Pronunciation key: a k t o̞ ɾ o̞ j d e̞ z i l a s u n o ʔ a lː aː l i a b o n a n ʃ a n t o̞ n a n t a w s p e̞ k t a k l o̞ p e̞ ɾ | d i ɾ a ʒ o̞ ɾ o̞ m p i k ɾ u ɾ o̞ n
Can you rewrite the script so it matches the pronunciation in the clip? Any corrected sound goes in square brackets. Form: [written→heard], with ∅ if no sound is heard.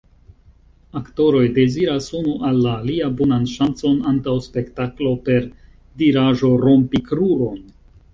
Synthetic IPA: a k t o̞ ɾ o̞ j d e̞ z i [l→ɾ] a s u n [o→u] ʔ a lː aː l i a b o n a n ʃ a n [t→t͡s] o̞ n a n t a w s p e̞ k t a k l o̞ p e̞ ɾ | d i ɾ a ʒ o̞ ɾ o̞ m p i k ɾ u ɾ o̞ n